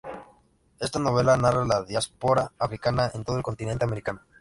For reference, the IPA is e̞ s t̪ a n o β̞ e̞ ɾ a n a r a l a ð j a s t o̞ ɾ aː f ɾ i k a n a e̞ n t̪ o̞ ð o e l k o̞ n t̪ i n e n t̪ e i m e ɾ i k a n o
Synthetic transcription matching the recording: e̞ s t̪ a n o β̞ e̞ l a n a r a l a ð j a s p o̞ ɾ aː f ɾ i k a n a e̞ n t̪ o̞ ð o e l k o̞ n t̪ i n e n t̪ e a m e ɾ i k a n o